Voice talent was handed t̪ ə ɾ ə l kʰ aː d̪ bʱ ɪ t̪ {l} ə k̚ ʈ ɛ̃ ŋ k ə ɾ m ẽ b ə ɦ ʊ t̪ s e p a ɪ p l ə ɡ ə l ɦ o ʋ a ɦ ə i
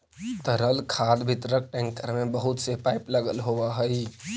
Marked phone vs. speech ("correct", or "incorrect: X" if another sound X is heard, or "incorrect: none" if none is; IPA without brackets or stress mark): incorrect: ɾ